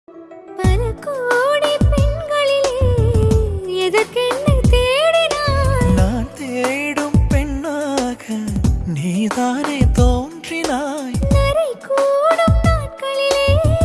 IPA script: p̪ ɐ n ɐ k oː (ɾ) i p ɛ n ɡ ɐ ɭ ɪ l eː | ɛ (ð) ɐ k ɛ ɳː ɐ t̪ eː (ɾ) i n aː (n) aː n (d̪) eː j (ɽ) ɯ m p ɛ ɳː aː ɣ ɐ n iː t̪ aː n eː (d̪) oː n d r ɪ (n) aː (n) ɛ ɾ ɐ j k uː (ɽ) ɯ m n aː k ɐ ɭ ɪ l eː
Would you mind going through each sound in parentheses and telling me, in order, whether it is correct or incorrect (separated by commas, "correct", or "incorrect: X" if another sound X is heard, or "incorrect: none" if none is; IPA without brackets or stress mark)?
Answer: incorrect: ɽ, correct, incorrect: ɽ, correct, incorrect: t̪, correct, incorrect: t̪, correct, correct, correct